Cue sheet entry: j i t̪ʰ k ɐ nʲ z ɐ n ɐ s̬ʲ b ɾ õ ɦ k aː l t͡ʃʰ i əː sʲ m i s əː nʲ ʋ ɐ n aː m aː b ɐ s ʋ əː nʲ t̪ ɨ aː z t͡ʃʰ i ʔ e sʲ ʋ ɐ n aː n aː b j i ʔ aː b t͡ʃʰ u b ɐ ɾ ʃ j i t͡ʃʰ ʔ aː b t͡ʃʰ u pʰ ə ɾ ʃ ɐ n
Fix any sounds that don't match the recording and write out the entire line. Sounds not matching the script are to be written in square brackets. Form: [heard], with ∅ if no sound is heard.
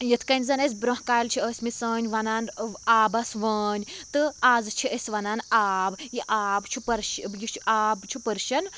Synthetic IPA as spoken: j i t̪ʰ k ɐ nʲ z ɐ n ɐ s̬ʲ b ɾ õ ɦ k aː l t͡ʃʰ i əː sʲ m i s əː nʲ ʋ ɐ n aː [n] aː b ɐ s ʋ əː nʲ t̪ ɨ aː z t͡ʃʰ i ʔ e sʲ ʋ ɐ n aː n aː b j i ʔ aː b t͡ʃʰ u [p] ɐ ɾ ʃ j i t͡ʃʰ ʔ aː b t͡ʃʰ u [p] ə ɾ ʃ ɐ n